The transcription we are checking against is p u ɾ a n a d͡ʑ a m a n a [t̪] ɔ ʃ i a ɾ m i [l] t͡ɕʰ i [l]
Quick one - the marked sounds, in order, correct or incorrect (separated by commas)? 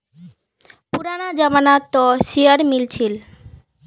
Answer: correct, correct, correct